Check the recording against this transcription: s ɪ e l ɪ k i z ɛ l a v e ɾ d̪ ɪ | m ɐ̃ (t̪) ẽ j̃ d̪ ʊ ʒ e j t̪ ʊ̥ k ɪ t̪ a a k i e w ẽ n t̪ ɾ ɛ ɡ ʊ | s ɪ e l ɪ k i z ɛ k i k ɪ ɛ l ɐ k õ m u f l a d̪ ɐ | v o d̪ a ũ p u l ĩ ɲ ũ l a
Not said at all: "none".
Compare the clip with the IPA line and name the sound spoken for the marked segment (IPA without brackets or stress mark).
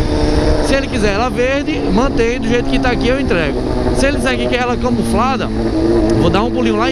t̪